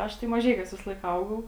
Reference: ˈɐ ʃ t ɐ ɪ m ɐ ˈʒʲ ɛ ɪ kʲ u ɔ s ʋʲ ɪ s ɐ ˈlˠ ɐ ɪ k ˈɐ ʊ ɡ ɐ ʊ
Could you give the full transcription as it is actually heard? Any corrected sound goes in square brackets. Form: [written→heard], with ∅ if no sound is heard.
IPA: ˈɐ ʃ t ɐ ɪ m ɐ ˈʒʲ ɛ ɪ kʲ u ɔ s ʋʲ ɪ s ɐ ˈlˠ ɐ ɪ k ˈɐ ʊ ɡ ɐ ʊ